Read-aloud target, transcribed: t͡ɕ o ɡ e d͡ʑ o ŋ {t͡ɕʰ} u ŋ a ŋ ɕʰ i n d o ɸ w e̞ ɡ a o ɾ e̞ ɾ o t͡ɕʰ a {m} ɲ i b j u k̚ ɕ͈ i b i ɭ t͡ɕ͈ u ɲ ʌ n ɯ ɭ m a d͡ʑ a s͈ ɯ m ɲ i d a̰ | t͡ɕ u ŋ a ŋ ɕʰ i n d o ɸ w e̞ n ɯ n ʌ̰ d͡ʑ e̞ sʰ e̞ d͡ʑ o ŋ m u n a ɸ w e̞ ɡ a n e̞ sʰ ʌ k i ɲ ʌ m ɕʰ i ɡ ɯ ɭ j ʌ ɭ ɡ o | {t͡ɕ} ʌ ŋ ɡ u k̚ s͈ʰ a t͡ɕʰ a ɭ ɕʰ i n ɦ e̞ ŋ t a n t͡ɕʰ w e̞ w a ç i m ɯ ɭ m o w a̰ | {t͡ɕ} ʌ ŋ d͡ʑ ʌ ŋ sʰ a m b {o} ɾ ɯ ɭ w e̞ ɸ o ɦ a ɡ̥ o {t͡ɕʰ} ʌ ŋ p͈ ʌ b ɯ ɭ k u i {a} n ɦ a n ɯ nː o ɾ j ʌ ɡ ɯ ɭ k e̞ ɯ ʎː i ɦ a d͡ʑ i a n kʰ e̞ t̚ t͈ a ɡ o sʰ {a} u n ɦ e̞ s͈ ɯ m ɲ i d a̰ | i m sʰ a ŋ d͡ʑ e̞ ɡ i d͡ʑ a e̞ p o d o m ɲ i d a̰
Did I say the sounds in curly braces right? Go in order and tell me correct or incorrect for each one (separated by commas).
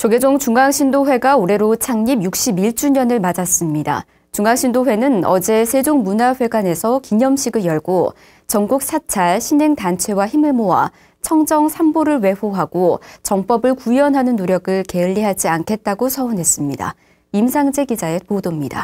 incorrect, incorrect, correct, incorrect, correct, incorrect, incorrect, incorrect